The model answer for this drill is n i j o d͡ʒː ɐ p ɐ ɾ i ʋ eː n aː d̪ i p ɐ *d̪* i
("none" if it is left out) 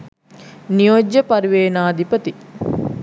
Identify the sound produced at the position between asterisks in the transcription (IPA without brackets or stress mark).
t̪